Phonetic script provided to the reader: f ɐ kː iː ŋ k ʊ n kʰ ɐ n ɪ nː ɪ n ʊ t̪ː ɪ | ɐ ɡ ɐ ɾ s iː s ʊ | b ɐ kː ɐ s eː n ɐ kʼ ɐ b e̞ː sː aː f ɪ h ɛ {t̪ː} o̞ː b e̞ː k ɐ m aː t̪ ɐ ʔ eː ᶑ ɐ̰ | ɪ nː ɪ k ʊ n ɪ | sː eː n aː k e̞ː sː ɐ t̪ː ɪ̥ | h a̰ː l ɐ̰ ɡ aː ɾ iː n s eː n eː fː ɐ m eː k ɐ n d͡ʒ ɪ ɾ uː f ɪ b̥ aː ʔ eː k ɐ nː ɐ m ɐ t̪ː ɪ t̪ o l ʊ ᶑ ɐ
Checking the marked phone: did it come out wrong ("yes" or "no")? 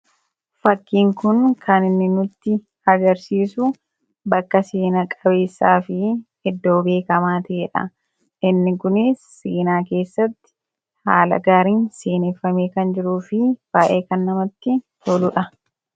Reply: yes